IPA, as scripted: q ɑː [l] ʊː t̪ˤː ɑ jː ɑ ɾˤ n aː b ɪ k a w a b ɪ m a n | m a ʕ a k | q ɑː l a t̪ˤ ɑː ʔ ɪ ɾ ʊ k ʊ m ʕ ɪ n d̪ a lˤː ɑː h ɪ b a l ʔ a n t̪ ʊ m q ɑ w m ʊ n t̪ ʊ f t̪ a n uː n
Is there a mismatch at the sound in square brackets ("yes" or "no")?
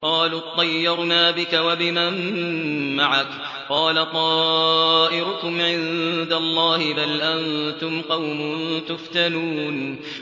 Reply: no